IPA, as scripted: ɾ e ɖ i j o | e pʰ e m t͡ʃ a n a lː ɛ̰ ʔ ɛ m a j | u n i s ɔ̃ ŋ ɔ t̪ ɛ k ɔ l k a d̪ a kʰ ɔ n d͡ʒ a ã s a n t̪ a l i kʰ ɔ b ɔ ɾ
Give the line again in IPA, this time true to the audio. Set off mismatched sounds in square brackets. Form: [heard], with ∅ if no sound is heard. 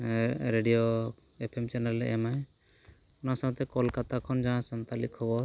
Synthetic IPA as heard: ɾ e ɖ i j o | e pʰ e m t͡ʃ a n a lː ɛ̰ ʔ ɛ m a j | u n [a] s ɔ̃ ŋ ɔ t̪ ɛ k ɔ l k a [t̪] a kʰ ɔ n d͡ʒ a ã s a n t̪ a l i kʰ ɔ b ɔ ɾ